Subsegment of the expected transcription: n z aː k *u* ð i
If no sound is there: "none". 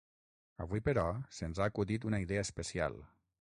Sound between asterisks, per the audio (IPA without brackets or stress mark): u